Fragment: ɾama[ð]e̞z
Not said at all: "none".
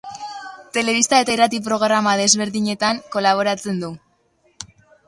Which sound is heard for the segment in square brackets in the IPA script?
ð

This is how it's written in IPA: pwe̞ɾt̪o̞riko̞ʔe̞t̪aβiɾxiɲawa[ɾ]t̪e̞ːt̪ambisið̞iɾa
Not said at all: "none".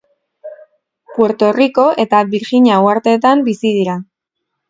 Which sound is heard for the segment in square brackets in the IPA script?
ɾ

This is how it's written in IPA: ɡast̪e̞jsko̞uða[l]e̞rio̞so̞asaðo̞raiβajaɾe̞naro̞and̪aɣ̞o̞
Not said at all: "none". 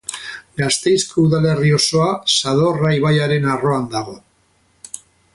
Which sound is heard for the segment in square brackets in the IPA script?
l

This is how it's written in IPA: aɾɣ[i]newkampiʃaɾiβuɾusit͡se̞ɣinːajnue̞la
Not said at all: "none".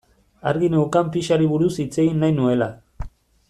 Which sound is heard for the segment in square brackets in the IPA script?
i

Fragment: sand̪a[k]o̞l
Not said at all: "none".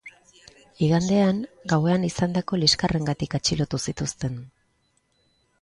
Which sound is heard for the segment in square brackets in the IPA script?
k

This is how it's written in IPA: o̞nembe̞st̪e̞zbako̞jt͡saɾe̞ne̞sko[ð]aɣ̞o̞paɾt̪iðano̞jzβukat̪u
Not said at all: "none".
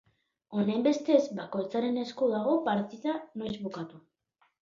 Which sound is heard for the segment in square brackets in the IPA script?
ð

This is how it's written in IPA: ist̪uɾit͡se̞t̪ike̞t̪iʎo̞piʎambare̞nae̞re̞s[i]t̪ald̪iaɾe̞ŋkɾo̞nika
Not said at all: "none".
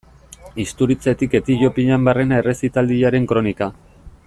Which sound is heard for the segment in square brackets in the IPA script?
i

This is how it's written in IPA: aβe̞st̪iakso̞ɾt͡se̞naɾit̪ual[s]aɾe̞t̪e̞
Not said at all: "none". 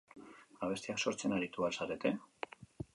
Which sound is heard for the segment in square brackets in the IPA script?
s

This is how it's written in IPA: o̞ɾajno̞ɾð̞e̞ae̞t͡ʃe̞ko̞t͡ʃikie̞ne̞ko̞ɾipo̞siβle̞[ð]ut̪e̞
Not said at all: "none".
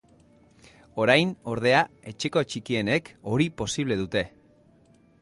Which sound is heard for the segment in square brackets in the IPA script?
ð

